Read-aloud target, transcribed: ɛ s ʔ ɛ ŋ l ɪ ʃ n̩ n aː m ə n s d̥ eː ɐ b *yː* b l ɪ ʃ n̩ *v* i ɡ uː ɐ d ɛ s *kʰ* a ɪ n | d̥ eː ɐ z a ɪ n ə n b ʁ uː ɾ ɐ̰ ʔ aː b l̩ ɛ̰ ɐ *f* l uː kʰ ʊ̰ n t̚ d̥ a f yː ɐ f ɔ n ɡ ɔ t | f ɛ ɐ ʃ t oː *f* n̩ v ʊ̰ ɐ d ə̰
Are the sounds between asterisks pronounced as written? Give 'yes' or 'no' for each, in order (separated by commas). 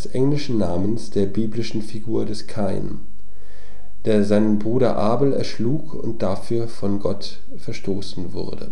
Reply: no, no, yes, no, no